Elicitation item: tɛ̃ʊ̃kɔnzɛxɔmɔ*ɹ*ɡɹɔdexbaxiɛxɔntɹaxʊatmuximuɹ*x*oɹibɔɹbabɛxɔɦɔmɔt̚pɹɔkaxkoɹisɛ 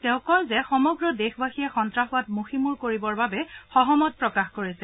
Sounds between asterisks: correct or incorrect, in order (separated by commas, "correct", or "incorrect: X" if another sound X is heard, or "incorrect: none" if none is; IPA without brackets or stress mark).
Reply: incorrect: none, incorrect: k